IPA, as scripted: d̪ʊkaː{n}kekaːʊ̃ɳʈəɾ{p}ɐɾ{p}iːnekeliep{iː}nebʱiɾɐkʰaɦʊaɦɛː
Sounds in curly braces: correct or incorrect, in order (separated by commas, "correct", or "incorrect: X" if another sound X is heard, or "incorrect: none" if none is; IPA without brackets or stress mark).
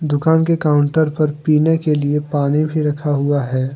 correct, correct, correct, incorrect: aː